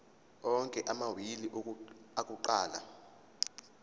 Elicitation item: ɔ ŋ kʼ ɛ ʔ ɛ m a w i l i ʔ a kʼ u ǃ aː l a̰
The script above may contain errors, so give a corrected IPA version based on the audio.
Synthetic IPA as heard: ɔ ŋ kʼ ɛ ʔ a m a w i l i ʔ a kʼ u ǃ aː l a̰